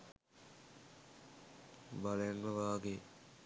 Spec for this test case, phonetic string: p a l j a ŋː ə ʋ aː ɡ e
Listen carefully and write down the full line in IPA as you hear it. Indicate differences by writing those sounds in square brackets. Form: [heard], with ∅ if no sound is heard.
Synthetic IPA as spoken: [b] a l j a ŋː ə ʋ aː ɡ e